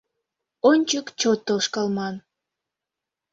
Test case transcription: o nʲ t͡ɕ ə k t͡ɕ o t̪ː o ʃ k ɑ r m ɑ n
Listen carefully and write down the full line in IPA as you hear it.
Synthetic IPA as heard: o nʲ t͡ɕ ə k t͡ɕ o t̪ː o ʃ k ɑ l m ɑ n